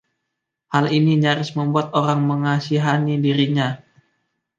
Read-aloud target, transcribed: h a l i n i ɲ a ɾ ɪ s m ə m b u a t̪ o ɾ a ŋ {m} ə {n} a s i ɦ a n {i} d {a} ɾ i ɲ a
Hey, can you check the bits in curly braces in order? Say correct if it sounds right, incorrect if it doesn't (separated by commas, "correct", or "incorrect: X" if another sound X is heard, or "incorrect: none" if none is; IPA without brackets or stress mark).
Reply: correct, incorrect: ŋ, correct, incorrect: i